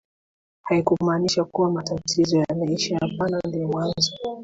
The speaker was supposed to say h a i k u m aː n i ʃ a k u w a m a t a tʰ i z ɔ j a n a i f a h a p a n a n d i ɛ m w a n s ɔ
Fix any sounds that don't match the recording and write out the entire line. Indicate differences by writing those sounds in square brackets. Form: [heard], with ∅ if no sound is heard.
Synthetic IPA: h a i k u m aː n i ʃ a k u w a m a t a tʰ i z ɔ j a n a i [ʃ] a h a p a n a n d i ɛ m w a n [z] ɔ